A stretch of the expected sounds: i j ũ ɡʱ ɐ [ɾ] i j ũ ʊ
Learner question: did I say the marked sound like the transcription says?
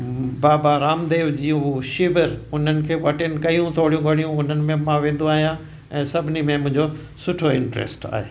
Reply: no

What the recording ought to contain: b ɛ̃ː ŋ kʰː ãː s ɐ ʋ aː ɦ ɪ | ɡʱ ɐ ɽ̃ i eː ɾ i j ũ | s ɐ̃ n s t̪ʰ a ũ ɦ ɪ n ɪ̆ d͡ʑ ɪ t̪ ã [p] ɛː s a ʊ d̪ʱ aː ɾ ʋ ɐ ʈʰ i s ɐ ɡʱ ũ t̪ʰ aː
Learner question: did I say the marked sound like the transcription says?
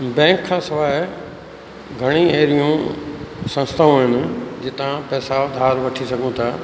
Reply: yes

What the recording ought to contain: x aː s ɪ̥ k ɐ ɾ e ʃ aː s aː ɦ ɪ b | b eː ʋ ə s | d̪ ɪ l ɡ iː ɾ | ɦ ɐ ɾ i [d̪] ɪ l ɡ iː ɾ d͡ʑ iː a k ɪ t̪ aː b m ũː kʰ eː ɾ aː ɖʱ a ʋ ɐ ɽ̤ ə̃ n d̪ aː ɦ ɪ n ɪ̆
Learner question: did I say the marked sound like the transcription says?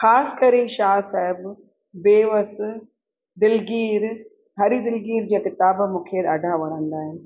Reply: yes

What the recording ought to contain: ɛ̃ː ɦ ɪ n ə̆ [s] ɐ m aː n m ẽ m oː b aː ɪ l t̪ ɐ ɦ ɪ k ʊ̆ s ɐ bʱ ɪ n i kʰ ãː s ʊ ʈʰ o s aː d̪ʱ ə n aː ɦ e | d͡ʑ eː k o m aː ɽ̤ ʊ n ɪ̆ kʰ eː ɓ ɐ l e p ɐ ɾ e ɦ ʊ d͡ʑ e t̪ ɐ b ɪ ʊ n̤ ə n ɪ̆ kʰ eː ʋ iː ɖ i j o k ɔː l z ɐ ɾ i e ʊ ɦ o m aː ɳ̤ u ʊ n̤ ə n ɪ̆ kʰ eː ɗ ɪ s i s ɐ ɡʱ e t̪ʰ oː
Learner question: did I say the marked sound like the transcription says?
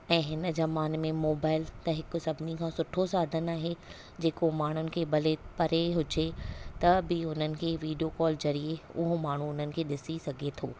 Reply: no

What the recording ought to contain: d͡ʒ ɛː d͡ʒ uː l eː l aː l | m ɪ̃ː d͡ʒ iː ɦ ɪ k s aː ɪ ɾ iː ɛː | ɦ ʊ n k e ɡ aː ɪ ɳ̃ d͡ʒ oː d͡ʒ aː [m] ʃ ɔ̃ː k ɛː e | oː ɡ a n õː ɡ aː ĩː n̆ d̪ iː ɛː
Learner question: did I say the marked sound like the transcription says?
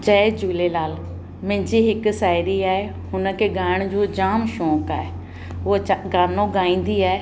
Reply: yes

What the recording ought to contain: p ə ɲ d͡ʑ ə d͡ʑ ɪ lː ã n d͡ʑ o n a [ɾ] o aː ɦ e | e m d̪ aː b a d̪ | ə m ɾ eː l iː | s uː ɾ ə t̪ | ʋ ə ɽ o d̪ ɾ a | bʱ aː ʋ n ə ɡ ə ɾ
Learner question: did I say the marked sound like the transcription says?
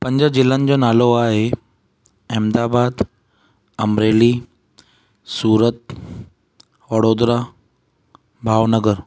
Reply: no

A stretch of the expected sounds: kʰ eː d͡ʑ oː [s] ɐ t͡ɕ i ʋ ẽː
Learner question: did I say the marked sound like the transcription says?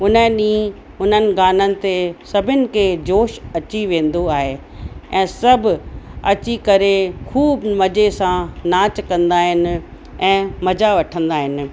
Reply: no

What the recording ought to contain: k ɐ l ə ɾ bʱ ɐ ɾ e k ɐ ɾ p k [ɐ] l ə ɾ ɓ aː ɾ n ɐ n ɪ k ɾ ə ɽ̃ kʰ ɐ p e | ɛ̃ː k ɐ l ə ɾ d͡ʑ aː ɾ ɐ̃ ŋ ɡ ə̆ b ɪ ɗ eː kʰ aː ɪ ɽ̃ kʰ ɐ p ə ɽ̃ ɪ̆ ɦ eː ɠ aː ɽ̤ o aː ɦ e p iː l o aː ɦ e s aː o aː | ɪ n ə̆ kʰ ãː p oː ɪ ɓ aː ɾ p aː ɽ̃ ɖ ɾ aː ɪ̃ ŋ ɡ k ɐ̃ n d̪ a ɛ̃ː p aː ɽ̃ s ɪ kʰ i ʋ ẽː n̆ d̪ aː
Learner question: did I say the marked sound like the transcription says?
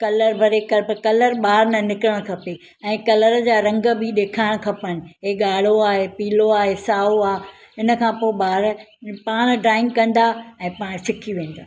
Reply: yes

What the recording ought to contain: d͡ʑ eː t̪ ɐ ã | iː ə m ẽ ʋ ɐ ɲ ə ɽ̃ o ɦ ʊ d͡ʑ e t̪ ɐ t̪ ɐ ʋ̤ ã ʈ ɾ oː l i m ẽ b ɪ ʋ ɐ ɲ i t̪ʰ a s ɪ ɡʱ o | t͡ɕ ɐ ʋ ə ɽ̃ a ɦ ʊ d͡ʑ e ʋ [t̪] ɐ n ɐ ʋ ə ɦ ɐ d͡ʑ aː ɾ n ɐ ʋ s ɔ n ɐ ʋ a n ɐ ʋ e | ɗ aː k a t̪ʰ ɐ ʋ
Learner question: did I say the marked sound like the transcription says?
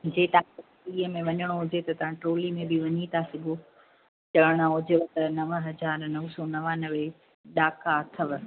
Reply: yes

